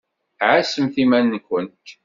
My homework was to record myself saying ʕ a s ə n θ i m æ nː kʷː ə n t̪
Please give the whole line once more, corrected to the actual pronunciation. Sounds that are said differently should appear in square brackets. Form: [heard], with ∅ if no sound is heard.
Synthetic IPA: ʕ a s ə [m] θ i m æ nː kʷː ə n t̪

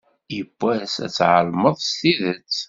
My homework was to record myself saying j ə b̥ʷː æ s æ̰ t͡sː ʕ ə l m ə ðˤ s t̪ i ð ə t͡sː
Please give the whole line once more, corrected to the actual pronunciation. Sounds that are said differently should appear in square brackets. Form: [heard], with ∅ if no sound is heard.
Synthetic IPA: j ə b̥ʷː æ s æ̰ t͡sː ʕ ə l m ə ðˤ s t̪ i ð ə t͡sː

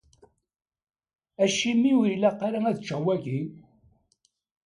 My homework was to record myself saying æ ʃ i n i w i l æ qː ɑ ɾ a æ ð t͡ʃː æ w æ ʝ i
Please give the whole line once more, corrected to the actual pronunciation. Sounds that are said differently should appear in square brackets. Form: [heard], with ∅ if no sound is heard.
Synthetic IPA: æ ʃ i [m] i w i l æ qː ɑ ɾ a æ ð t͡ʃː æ w æ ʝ i

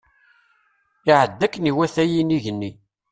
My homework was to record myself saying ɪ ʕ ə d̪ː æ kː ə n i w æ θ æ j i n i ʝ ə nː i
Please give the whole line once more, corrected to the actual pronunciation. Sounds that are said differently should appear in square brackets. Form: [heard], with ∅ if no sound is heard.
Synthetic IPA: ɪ ʕ ə d̪ː æ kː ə n i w æ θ æ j i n i ʝ ə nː i

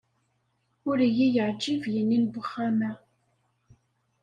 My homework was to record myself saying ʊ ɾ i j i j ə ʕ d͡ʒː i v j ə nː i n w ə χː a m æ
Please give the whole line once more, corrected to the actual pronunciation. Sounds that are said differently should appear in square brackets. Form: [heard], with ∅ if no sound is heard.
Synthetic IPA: ʊ ɾ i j i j ə ʕ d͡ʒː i v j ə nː i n [b] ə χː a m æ

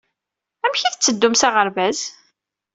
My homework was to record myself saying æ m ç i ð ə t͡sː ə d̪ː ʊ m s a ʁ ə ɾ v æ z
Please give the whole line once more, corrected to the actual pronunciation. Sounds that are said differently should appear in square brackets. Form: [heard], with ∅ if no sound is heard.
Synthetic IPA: æ m ç i [θ] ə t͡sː ə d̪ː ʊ m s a ʁ ə ɾ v æ z

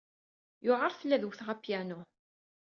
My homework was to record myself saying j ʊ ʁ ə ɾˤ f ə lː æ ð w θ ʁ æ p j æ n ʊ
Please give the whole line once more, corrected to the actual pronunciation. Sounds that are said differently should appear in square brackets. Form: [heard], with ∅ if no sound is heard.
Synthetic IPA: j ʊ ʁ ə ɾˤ [θ] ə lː æ ð w θ ʁ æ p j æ n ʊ

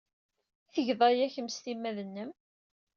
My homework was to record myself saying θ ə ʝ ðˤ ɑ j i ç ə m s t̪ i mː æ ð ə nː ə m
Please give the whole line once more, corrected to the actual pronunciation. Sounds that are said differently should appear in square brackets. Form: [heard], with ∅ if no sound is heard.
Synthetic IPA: θ ə ʝ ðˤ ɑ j [æ] ç ə m s t̪ i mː æ ð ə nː ə m

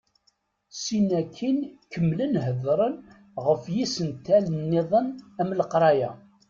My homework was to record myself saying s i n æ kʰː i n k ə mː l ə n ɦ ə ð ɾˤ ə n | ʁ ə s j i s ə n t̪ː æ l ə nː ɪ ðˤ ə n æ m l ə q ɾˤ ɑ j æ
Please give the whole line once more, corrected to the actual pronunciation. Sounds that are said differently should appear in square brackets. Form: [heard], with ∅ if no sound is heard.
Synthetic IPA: s i n æ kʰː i n k ə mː l ə n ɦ ə ð ɾˤ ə n | ʁ ə [f] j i s ə n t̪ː æ l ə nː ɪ ðˤ ə n æ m l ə q ɾˤ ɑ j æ

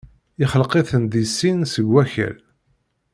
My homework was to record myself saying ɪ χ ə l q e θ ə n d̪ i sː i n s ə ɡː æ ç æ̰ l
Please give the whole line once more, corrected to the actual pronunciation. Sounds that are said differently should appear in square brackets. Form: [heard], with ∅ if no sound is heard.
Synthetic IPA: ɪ χ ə l q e θ ə n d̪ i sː i n s ə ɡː æ ç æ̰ l

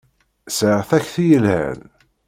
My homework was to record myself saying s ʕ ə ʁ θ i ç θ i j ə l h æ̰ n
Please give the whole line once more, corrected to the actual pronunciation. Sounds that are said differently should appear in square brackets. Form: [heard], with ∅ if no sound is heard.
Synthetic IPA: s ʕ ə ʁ θ [æ] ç θ i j ə l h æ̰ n

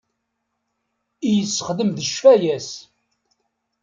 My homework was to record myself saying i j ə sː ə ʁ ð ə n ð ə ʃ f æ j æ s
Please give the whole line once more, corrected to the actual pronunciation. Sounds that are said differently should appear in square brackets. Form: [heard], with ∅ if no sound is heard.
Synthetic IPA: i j ə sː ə [χ] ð ə [m] ð ə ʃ f æ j æ s

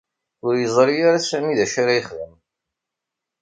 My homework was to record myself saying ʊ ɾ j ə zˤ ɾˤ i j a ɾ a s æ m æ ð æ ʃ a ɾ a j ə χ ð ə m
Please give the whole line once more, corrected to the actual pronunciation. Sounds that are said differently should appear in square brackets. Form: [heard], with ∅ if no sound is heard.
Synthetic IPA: ʊ ɾ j ə zˤ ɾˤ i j a ɾ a s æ m [i] ð æ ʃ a ɾ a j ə χ ð ə m

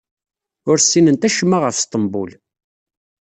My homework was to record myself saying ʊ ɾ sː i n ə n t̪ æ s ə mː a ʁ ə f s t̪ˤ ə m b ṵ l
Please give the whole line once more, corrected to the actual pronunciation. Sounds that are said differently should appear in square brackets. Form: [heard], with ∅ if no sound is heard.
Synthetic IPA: ʊ ɾ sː i n ə n t̪ æ [ʃ] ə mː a ʁ ə f s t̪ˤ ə m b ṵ l

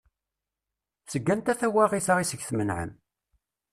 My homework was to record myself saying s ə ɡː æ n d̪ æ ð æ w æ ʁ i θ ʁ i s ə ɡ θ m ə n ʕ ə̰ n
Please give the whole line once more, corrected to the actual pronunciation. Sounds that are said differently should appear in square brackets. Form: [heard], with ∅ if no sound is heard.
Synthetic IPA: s ə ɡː æ n [t̪] æ [θ] æ w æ ʁ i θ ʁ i s ə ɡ θ m ə n ʕ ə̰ [m]

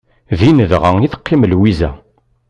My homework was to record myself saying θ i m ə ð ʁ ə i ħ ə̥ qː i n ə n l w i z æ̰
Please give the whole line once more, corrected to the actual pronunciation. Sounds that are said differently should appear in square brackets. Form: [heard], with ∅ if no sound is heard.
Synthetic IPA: [ð] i [n] ə ð ʁ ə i [θ] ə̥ qː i [m] ə [∅] l w i z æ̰

